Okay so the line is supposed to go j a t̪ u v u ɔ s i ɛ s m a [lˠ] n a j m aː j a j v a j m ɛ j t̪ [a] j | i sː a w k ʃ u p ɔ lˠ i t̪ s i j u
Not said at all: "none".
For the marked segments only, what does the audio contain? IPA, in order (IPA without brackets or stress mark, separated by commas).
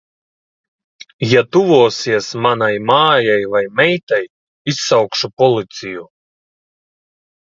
none, a